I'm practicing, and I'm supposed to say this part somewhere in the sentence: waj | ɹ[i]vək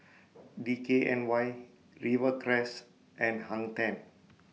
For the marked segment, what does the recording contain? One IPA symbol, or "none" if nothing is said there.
i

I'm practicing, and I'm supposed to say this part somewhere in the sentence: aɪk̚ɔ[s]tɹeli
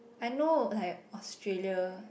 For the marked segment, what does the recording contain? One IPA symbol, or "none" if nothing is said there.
s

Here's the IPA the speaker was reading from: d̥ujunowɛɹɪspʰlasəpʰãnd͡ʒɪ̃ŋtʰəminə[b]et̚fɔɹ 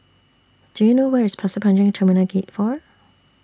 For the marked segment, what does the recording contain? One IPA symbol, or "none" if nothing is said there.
ɡ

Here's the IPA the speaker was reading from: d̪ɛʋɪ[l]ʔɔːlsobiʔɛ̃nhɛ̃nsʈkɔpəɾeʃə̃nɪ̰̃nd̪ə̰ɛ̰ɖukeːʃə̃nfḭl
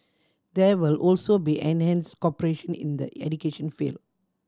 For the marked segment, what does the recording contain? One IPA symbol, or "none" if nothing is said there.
l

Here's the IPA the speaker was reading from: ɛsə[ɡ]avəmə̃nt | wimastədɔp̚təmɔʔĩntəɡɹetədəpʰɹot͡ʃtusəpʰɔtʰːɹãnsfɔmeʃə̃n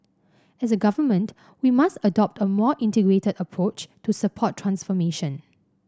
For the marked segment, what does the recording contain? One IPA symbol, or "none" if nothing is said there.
ɡ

